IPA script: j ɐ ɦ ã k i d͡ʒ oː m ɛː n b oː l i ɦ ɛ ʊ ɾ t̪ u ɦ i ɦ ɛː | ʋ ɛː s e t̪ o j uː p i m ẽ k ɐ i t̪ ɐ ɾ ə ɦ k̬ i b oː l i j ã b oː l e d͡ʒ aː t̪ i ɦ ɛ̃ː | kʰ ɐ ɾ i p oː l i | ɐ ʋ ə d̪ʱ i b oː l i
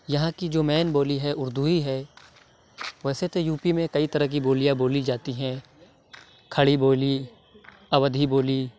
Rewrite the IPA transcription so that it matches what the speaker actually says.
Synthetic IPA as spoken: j ɐ ɦ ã k i d͡ʒ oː m ɛː n b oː l i ɦ ɛ ʊ ɾ d̪ u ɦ i ɦ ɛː | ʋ ɛː s e t̪ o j uː p i m ẽ k ɐ i t̪ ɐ ɾ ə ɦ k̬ i b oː l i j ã b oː l i d͡ʒ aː t̪ i ɦ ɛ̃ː | kʰ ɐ ɽ i b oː l i | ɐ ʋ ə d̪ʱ i b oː l i